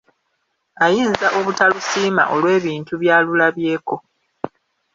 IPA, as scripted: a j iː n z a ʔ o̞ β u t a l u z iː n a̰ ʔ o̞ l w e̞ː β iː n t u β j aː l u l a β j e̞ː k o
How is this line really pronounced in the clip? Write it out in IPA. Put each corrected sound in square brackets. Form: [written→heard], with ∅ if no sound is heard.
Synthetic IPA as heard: a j iː n z a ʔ o̞ β u t a l u [z→s] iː [n→m] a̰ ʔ o̞ l w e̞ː β iː n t u β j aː l u l a β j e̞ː k o